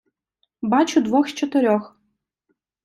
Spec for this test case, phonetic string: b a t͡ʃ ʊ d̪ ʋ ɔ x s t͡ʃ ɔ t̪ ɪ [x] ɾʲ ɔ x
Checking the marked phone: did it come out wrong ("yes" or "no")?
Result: yes